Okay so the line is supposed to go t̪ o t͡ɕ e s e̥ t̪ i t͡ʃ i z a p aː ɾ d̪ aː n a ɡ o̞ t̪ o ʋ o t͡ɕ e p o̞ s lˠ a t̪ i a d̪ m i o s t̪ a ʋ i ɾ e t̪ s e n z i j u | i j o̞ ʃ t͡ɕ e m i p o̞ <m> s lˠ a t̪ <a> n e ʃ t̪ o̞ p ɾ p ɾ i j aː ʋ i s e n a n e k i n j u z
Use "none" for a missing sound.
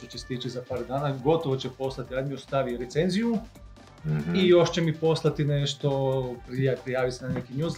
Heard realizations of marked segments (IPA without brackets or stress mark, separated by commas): none, i